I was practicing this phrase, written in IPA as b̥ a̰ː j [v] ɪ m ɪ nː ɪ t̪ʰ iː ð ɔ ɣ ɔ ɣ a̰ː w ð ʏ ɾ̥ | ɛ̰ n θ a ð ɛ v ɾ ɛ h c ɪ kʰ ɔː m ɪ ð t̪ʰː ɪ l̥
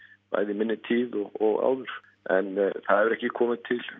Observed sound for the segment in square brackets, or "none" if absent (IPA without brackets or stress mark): ð